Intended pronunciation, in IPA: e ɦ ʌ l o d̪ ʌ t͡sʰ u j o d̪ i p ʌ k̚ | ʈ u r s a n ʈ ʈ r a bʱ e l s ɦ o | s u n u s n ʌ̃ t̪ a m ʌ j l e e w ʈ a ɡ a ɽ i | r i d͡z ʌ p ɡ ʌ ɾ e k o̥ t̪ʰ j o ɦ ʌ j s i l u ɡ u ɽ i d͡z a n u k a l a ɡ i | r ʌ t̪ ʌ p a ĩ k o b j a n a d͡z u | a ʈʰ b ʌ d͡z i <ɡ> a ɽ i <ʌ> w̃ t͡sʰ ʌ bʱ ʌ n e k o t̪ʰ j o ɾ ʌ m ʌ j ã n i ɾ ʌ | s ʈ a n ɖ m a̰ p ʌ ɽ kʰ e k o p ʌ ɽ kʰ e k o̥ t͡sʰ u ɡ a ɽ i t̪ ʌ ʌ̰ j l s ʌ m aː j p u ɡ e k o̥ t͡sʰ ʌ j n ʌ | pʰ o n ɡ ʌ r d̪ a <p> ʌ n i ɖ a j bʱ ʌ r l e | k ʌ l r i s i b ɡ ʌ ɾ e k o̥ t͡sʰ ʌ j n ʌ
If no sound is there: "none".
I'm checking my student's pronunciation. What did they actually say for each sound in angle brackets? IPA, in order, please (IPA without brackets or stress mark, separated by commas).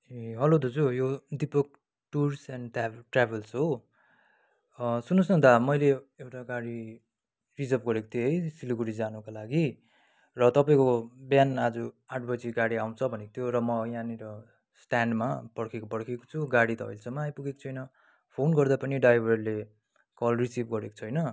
ɡ, a, p